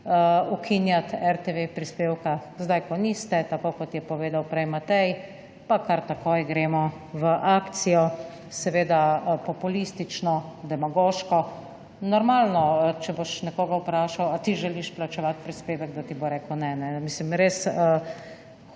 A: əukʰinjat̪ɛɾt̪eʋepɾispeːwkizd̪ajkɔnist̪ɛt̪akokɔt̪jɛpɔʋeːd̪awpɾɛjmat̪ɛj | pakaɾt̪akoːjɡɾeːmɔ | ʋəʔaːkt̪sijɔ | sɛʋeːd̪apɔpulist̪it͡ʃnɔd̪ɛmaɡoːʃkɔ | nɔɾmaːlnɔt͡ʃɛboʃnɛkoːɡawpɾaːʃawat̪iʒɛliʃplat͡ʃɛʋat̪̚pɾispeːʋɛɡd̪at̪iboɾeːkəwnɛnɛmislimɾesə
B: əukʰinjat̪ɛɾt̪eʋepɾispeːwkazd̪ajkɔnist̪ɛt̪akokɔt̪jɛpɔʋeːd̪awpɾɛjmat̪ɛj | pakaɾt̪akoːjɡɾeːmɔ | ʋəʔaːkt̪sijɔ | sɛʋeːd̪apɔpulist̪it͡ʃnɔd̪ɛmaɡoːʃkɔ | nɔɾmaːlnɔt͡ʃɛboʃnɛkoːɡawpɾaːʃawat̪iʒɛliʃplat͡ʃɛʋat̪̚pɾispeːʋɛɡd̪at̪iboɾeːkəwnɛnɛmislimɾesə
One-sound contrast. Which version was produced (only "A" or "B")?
B